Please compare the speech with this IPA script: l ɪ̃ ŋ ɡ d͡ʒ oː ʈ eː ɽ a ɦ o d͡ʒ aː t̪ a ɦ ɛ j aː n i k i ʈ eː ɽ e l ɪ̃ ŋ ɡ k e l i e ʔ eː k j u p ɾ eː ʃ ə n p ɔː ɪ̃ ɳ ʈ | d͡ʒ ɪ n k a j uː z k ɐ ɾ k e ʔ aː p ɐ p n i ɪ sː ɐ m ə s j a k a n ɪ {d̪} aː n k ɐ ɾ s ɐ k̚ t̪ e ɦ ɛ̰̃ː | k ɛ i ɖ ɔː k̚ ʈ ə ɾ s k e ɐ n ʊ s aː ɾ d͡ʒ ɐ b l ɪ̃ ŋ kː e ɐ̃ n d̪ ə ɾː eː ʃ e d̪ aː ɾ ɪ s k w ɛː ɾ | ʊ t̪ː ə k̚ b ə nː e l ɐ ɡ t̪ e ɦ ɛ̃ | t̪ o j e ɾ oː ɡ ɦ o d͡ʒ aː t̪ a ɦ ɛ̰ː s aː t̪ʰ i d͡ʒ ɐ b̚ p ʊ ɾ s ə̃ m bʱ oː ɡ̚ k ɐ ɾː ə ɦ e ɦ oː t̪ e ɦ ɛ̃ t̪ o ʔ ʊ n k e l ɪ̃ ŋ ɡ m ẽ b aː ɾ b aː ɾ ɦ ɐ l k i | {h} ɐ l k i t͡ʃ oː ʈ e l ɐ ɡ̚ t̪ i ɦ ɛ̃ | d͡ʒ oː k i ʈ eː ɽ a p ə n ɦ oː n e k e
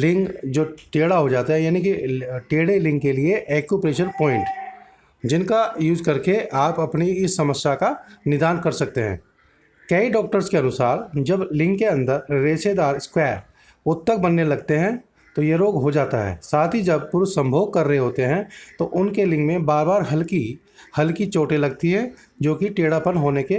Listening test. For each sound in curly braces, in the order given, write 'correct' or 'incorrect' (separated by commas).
correct, correct